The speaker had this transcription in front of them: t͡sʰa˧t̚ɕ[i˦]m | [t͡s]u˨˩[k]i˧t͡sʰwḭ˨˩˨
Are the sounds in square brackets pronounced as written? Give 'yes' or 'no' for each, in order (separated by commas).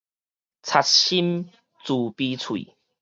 yes, yes, no